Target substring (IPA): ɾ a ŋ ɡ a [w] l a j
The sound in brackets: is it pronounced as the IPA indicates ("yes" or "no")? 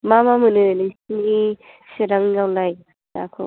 yes